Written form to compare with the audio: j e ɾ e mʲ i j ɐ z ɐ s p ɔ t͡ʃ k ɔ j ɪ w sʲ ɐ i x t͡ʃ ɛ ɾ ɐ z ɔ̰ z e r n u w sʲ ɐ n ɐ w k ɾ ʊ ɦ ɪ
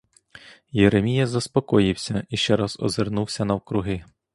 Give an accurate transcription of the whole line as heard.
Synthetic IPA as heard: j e ɾ e mʲ i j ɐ z ɐ s p ɔ k ɔ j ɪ w sʲ ɐ i ʃ t͡ʃ ɛ ɾ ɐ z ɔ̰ z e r n u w sʲ ɐ n ɐ w k ɾ ʊ ɦ ɪ